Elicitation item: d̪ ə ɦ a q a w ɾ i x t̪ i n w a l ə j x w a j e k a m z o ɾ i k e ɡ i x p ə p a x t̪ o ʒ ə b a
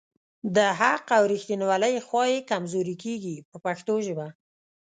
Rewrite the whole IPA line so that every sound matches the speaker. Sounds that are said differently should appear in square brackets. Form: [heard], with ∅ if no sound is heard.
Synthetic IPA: d̪ ə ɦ a q a w ɾ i x t̪ i n w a l ə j x w [ɑ] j e k a m z o ɾ i k e ɡ i [∅] p ə p a x t̪ o ʒ ə b a